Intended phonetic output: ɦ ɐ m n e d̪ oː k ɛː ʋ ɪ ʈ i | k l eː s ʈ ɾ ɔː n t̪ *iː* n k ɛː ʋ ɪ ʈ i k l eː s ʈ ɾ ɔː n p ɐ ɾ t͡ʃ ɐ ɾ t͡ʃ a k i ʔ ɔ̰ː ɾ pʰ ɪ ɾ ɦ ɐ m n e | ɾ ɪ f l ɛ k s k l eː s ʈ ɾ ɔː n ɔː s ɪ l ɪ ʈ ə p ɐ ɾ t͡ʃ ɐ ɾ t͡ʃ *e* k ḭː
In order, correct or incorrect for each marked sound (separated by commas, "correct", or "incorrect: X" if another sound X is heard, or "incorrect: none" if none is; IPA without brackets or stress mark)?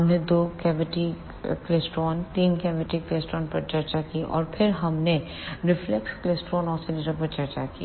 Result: correct, incorrect: a